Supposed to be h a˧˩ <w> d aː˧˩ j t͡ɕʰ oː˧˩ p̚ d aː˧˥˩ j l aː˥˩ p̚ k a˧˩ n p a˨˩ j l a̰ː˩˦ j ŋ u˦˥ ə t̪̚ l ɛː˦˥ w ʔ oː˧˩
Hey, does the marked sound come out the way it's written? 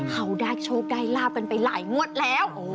yes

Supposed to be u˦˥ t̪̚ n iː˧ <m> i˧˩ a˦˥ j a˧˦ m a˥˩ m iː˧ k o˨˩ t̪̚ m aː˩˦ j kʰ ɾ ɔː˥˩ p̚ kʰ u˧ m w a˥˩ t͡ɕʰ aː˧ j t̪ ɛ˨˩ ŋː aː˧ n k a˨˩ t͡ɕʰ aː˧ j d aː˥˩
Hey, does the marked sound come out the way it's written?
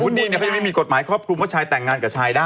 no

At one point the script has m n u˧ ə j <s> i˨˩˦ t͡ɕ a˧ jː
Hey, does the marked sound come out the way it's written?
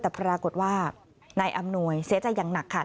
yes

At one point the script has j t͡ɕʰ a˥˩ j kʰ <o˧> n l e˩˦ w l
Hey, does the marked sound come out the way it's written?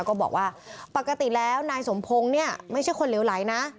yes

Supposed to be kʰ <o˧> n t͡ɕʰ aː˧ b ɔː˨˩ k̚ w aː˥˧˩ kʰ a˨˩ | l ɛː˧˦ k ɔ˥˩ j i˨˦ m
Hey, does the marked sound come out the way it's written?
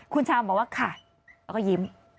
no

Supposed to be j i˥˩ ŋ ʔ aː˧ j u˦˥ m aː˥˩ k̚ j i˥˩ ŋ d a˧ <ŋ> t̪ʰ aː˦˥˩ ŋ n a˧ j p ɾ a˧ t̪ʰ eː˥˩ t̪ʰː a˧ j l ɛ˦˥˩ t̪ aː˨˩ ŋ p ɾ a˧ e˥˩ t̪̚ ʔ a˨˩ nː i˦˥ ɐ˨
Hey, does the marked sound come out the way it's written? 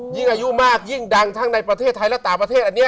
yes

